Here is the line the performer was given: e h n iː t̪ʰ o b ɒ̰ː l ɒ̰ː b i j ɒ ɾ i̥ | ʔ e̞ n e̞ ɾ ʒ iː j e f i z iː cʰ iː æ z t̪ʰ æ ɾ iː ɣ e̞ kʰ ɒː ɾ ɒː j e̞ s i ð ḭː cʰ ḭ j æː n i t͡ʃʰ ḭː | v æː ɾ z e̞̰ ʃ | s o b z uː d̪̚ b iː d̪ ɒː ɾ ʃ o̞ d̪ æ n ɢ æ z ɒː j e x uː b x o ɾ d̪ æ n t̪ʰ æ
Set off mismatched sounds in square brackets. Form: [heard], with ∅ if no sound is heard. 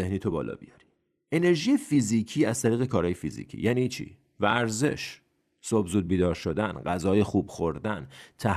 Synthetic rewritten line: e h n iː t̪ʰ o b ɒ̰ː l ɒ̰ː b i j ɒ ɾ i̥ | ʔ e̞ n e̞ ɾ ʒ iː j e f i z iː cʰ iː æ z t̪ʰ æ ɾ iː ɣ e̞ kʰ ɒː ɾ ɒː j e̞ [f] i [z] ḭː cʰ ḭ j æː n i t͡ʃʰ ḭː | v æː ɾ z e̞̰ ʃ | s o b z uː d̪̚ b iː d̪ ɒː ɾ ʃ o̞ d̪ æ n ɢ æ z ɒː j e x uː b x o ɾ d̪ æ n t̪ʰ æ